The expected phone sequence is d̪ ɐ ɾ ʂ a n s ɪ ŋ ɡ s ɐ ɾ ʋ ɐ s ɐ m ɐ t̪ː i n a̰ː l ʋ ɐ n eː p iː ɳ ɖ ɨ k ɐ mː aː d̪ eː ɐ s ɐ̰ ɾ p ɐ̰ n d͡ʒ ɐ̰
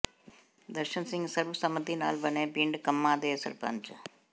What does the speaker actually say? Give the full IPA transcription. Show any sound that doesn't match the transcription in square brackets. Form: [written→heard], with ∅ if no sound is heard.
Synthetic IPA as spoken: d̪ ɐ ɾ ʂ [a→ɐ] n s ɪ ŋ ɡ s ɐ ɾ ʋ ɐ s ɐ m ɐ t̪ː i n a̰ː l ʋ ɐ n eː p iː ɳ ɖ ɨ k ɐ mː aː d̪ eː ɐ s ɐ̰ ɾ p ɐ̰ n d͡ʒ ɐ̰